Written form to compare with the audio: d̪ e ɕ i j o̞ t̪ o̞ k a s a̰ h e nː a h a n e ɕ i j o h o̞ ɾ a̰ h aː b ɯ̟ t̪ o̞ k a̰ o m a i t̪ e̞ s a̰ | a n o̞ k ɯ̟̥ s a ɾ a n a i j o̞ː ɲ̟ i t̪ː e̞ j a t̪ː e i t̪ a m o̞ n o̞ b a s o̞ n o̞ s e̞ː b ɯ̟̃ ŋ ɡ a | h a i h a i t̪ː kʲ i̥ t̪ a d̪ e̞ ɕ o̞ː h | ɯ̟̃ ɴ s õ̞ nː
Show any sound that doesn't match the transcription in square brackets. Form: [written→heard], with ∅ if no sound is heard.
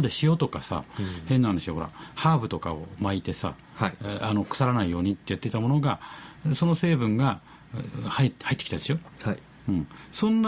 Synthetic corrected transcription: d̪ e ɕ i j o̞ t̪ o̞ k a s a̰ h e nː a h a n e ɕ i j o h o̞ ɾ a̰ h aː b ɯ̟ t̪ o̞ k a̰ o m a i t̪ e̞ s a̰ | a n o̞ k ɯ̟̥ s a ɾ a n a i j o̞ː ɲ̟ i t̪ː e̞ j a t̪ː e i t̪ a m o̞ n o̞ [b→ɡ] a s o̞ n o̞ s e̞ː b ɯ̟̃ ŋ ɡ a | h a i h a i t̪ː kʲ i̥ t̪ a d̪ e̞ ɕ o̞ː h | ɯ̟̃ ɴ s õ̞ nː